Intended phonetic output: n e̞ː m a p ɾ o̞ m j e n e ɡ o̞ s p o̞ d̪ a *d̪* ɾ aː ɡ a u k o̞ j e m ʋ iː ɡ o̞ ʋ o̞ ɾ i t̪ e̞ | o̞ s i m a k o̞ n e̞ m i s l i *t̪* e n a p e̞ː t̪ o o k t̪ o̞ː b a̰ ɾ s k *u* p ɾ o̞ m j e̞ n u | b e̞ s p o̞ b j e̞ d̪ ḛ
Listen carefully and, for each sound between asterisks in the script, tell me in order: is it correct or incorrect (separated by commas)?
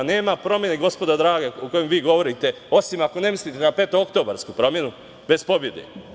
correct, correct, correct